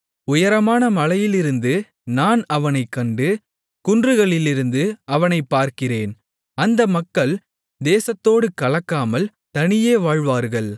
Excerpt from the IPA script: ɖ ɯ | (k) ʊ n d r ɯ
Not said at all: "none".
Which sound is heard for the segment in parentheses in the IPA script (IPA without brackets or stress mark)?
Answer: k